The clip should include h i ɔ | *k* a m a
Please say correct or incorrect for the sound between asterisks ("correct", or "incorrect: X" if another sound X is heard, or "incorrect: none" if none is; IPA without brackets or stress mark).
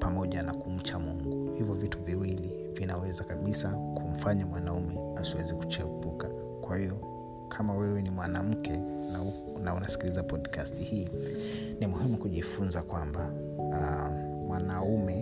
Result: incorrect: kʰ